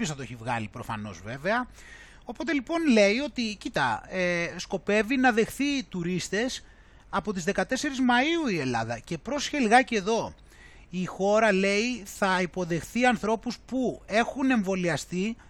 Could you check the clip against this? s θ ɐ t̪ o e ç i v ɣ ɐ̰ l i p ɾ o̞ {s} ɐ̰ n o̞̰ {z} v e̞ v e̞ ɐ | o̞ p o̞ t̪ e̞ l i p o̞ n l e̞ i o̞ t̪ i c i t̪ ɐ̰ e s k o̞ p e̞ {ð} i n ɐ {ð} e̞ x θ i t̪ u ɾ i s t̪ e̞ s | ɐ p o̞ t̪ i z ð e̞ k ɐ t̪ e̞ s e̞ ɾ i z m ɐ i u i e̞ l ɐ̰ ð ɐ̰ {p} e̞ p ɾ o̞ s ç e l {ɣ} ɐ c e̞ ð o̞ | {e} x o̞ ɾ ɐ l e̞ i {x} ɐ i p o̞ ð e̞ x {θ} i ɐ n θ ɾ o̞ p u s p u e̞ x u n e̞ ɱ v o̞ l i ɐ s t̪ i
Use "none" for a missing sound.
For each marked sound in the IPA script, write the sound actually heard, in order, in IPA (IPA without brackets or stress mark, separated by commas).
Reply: f, z, v, ð, c, ɣ, i, θ, θ